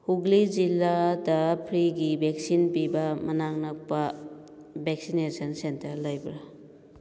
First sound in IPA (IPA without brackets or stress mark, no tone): h